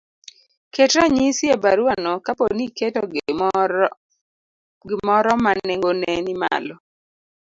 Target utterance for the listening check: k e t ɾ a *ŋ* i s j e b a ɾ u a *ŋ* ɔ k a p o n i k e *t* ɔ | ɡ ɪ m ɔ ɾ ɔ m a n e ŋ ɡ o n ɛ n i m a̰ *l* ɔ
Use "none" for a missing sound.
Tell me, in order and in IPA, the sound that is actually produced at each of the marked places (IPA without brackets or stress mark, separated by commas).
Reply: ɲ, n, t, l